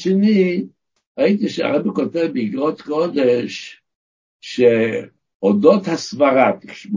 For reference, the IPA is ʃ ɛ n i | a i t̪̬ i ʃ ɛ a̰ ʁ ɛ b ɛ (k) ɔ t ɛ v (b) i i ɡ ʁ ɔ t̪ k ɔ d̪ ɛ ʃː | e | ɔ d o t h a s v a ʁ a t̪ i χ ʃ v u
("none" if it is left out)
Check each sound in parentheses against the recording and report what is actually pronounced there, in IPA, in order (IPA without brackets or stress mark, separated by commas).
k, b